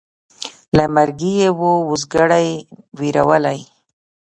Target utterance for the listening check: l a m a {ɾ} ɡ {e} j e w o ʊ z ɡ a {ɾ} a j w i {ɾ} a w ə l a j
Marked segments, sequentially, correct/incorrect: correct, incorrect: i, incorrect: ɽ, correct

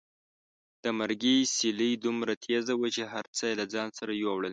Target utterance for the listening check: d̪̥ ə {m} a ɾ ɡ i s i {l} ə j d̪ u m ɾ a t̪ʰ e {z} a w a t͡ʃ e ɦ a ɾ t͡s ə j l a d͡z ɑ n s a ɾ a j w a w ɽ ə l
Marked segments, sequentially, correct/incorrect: correct, correct, correct

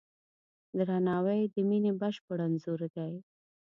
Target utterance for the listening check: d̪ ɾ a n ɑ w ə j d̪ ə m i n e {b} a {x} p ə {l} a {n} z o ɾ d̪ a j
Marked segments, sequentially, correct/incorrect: correct, incorrect: ʃ, incorrect: ɽ, correct

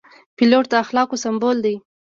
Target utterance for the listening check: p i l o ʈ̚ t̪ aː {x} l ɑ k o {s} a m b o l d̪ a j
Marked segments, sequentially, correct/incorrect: correct, correct

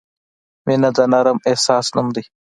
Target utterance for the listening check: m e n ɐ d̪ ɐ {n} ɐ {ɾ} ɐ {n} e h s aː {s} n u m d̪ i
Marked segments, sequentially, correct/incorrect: correct, correct, incorrect: m, correct

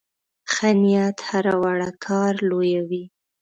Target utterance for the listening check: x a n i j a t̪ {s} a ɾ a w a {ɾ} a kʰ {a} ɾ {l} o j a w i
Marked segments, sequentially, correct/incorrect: incorrect: h, incorrect: ɽ, incorrect: ɑ, correct

